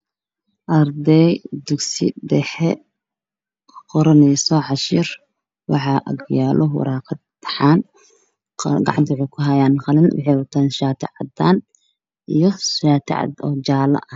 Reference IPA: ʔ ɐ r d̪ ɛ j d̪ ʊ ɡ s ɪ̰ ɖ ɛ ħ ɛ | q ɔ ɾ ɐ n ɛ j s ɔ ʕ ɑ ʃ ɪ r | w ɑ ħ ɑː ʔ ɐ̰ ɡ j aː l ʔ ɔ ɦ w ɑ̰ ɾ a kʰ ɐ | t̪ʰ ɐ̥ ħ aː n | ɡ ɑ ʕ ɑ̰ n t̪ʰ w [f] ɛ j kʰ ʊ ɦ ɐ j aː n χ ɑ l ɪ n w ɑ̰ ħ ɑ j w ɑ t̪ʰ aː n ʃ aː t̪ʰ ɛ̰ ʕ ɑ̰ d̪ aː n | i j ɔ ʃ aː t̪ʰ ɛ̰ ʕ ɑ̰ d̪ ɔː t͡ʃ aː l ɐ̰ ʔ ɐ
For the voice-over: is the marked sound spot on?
no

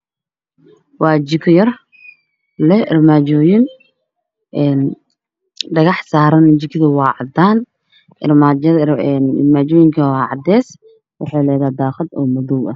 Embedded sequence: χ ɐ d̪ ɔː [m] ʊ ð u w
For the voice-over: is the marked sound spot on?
yes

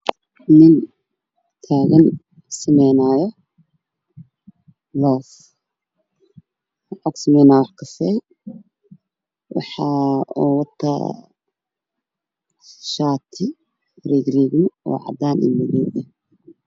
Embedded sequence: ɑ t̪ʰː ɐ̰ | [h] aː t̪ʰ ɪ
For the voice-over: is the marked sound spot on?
no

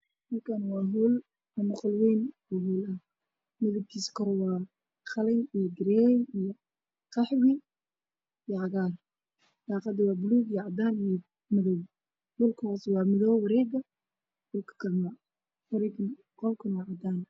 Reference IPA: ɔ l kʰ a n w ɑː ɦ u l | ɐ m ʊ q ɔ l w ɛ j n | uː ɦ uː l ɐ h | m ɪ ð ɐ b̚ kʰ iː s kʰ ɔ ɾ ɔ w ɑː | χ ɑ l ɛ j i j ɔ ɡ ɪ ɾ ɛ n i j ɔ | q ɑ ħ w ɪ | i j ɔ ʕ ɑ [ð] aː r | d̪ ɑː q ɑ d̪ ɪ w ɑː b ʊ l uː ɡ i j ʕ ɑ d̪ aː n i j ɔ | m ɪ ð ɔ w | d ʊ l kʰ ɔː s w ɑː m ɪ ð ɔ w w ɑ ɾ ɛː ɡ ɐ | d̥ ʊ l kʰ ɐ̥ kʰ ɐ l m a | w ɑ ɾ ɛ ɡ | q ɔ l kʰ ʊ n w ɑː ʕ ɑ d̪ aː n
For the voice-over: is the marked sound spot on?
no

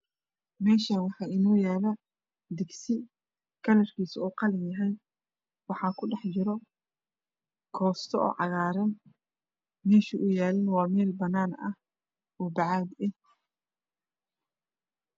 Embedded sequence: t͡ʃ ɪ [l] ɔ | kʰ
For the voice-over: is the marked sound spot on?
no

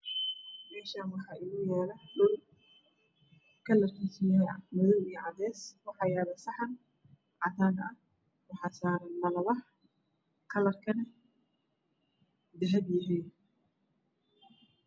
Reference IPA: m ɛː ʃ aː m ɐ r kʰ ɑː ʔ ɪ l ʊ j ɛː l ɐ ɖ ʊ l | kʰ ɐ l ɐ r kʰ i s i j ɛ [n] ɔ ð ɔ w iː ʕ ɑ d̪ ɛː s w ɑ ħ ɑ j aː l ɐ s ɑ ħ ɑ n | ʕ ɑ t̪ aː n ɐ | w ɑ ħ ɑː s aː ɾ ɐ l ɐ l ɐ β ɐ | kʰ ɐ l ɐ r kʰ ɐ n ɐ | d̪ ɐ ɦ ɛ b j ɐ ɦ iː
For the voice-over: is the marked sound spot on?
no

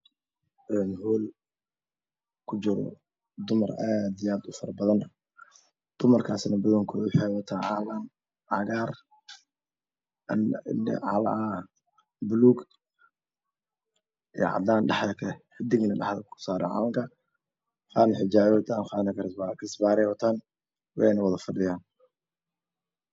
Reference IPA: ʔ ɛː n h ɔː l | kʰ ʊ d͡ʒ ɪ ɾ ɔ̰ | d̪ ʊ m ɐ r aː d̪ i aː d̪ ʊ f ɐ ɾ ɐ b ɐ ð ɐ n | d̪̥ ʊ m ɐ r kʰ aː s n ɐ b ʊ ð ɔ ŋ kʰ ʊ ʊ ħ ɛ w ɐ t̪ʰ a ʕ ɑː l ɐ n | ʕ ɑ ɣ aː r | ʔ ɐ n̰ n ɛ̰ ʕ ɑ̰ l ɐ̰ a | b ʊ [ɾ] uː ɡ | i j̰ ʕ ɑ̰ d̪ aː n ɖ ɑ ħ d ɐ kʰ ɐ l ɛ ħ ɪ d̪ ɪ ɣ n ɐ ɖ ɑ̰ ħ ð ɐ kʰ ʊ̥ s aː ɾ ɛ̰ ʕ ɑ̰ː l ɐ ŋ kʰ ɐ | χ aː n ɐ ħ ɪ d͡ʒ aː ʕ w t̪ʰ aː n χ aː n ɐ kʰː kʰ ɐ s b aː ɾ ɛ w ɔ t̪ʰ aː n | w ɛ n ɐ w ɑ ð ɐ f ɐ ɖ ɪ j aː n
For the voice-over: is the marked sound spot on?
no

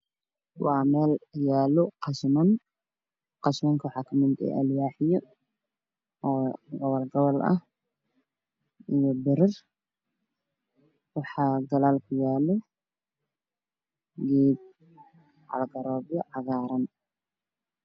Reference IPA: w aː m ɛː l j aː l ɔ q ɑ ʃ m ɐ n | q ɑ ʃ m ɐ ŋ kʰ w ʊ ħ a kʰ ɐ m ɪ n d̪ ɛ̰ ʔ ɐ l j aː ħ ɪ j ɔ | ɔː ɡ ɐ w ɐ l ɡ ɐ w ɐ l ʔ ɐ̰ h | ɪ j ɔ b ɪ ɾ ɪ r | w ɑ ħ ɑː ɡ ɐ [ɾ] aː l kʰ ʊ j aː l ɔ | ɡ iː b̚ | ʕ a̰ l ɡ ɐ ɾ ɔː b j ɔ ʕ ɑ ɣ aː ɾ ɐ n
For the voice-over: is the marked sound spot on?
no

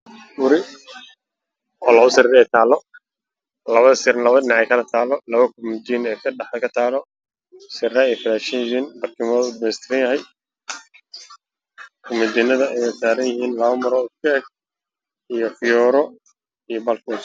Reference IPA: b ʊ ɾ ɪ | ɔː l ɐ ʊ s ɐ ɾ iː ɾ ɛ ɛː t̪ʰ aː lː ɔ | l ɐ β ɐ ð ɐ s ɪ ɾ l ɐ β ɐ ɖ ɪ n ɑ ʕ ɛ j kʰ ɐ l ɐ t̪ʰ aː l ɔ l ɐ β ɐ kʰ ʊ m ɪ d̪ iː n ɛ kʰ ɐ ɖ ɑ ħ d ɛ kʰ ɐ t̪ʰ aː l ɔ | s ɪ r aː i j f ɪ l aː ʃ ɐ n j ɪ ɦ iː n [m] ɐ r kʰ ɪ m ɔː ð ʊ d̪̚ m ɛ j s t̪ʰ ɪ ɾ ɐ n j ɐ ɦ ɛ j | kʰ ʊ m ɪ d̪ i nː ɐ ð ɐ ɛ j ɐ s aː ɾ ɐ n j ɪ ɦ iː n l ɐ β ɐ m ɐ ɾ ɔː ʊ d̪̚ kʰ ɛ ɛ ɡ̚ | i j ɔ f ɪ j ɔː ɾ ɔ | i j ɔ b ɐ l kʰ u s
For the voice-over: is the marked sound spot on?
no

